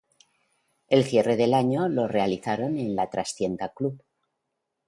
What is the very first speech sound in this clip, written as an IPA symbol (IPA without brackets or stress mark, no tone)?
e̞